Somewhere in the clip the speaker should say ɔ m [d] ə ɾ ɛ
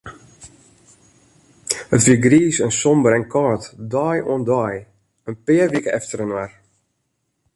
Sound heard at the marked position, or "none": b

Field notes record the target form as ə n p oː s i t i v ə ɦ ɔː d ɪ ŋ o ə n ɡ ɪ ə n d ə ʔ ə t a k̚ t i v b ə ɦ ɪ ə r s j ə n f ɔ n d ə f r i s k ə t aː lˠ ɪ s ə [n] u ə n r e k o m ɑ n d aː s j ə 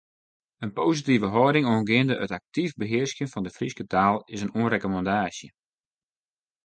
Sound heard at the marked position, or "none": n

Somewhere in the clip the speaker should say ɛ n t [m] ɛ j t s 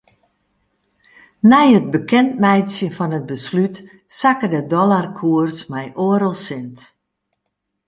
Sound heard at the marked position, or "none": m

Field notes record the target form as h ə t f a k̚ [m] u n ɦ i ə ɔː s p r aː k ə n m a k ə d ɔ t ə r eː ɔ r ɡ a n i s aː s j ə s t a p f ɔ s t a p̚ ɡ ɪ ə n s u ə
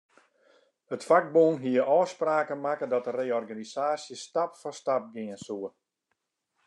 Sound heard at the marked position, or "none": b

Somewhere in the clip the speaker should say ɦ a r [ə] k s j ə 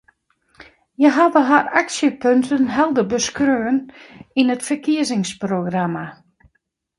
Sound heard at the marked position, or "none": a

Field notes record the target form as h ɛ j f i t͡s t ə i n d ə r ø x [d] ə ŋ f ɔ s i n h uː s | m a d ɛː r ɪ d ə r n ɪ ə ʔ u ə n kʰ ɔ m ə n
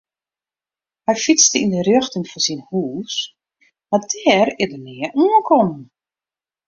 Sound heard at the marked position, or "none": t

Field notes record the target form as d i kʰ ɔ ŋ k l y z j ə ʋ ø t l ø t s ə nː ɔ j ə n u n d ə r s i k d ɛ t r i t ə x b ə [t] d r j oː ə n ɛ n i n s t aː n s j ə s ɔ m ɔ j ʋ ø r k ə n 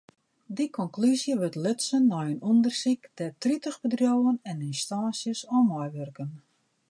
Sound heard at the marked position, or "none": none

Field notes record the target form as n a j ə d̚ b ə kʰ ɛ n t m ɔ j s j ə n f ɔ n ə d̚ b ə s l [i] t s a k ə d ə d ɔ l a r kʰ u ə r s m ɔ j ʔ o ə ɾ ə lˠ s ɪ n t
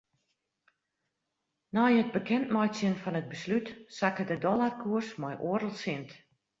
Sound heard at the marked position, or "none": y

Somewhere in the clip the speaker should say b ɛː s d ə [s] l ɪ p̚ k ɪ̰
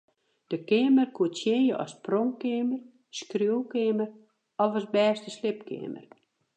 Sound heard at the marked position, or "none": s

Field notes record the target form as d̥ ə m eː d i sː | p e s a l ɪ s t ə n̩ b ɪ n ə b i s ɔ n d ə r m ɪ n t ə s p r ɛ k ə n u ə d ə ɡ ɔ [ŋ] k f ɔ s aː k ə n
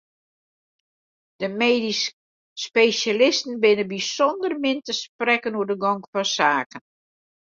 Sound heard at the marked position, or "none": ŋ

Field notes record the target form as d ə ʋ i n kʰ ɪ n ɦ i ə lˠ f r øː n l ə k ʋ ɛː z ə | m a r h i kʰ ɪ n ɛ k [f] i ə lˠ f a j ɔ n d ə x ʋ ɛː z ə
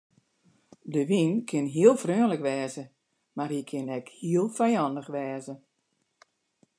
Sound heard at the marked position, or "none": h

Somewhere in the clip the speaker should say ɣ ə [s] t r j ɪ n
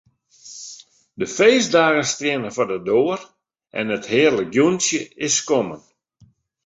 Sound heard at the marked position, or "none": s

